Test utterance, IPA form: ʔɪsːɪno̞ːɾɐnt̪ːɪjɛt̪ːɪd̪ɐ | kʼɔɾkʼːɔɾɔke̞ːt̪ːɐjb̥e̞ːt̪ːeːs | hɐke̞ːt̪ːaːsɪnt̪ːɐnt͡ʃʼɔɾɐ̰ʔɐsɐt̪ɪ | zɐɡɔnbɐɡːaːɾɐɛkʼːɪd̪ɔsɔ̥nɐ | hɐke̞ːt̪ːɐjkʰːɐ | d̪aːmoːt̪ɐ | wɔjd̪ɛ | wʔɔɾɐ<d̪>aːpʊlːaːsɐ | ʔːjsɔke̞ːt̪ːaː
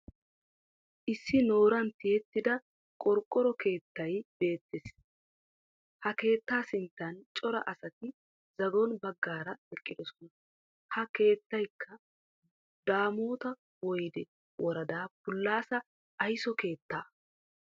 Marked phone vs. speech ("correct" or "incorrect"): correct